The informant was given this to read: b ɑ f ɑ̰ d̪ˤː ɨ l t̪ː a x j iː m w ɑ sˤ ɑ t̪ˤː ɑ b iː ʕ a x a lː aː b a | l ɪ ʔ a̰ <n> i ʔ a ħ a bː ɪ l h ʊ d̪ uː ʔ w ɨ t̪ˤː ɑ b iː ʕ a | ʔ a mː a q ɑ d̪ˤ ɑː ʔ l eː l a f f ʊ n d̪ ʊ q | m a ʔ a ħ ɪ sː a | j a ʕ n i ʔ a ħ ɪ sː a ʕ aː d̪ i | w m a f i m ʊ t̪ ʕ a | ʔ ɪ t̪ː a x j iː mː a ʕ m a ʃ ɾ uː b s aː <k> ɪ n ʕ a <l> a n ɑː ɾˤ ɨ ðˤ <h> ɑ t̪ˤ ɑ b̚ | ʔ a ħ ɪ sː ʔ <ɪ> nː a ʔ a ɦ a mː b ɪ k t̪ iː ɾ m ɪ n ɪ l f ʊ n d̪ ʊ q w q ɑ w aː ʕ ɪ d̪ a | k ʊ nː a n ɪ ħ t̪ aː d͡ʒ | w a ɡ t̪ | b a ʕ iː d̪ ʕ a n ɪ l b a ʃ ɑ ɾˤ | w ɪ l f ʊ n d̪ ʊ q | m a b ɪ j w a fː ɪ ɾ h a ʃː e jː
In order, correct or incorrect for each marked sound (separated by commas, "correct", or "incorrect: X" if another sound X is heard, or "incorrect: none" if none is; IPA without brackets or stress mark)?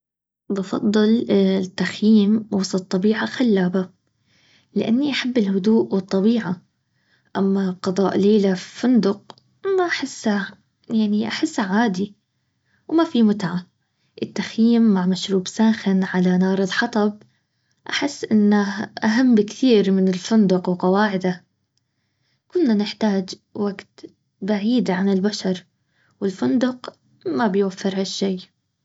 incorrect: nː, incorrect: x, correct, incorrect: ħ, correct